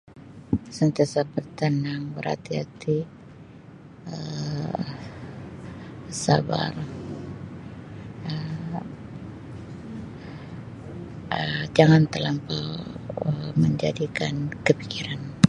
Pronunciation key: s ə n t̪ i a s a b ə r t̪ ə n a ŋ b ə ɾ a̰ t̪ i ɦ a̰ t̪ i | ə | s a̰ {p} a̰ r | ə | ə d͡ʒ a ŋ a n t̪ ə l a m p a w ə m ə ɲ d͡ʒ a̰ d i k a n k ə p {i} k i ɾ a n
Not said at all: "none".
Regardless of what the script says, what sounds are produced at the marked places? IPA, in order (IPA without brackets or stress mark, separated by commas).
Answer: b, i